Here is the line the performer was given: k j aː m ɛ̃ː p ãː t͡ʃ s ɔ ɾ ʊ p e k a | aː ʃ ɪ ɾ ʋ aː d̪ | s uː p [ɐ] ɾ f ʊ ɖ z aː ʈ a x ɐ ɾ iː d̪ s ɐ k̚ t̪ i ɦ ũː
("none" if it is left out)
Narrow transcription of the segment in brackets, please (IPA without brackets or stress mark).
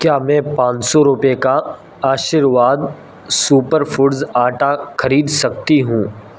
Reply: ə